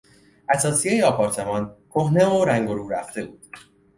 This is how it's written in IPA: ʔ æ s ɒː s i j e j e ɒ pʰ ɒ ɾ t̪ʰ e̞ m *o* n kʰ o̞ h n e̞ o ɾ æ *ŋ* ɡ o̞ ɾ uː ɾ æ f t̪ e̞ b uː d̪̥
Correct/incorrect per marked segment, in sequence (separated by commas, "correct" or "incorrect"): incorrect, correct